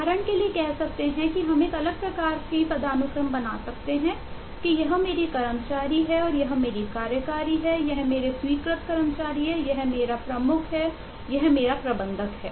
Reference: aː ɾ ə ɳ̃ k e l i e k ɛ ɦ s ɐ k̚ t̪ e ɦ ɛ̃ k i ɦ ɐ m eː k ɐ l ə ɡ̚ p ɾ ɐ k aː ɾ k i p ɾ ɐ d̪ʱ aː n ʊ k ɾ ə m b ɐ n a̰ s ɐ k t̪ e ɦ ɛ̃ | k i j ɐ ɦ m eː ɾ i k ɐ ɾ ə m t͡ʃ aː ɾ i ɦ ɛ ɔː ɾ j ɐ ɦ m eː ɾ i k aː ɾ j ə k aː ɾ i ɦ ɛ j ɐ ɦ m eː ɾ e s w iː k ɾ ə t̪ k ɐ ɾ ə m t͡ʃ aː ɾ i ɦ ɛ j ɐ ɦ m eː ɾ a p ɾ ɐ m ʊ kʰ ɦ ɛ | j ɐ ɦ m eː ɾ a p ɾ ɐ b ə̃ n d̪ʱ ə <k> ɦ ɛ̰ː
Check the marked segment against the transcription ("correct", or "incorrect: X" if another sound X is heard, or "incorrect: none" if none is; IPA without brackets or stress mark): correct